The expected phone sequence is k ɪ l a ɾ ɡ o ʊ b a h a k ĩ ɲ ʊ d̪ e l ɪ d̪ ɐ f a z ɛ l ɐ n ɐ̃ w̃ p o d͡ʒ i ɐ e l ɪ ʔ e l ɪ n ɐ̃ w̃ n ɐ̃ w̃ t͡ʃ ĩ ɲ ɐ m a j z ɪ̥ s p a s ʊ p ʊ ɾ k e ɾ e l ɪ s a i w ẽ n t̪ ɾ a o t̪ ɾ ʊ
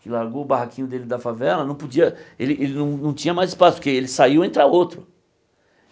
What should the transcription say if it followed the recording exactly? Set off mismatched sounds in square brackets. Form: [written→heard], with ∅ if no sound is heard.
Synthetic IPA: k ɪ l a ɾ ɡ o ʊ b a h a k ĩ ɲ ʊ d̪ e l ɪ d̪ ɐ f a [z→v] ɛ l ɐ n ɐ̃ w̃ p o d͡ʒ i ɐ e l ɪ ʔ e l ɪ n ɐ̃ w̃ n ɐ̃ w̃ t͡ʃ ĩ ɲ ɐ m a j z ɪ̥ s p a s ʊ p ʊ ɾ k e [ɾ→∅] e l ɪ s a i w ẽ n t̪ ɾ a o t̪ ɾ ʊ